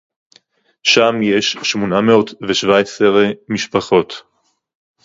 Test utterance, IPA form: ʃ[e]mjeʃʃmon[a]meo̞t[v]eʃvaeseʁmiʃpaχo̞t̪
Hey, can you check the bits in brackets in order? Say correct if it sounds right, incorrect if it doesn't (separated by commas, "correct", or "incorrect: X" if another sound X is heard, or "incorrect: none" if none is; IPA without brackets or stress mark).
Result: incorrect: a, correct, correct